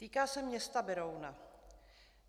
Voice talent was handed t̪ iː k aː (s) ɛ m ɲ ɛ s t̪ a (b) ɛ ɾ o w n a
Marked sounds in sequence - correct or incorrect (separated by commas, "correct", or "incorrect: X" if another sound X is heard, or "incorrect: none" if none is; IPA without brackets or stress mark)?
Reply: correct, correct